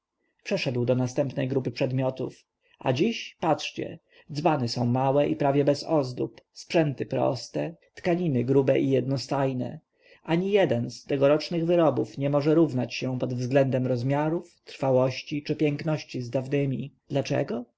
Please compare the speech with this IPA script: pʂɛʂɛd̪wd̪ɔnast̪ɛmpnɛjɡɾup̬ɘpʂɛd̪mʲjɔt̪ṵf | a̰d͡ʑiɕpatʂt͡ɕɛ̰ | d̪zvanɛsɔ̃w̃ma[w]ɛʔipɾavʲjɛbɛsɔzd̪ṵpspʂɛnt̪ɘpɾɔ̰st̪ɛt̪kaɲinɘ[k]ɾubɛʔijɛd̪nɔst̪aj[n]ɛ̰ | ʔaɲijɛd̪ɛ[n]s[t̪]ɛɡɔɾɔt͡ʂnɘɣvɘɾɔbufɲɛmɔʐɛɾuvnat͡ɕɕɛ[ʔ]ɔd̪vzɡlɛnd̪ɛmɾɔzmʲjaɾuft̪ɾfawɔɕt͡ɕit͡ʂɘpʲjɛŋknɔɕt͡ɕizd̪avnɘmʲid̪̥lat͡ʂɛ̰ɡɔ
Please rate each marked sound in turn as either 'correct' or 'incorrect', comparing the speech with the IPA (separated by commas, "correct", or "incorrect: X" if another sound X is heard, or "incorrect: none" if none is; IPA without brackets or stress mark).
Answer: correct, incorrect: ɡ, correct, correct, correct, incorrect: p